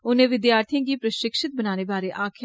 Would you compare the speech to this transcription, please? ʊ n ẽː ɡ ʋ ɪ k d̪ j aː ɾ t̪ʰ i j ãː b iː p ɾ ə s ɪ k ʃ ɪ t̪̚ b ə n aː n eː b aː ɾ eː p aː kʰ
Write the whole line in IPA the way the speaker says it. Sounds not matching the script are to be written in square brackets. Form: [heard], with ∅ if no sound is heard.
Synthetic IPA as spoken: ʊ n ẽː [∅] ʋ ɪ [∅] d̪ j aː ɾ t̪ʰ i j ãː [ɡ] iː p ɾ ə [ʃ] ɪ k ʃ ɪ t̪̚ b ə n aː n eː b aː ɾ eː [ʔ] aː kʰ